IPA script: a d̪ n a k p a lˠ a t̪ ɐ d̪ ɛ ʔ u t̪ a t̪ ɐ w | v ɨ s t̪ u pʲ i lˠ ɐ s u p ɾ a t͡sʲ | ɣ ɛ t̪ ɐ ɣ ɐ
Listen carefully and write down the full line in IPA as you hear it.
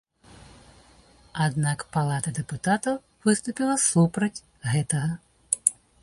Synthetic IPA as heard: a d̪ n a k p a lˠ a t̪ ɐ d̪ ɛ p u t̪ a t̪ ɐ w | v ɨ s t̪ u pʲ i lˠ ɐ s u p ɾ ɐ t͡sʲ | ɣ ɛ t̪ ɐ ɣ ɐ